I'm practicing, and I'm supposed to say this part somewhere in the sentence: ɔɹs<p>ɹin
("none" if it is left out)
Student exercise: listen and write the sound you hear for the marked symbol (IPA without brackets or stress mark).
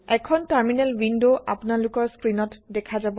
k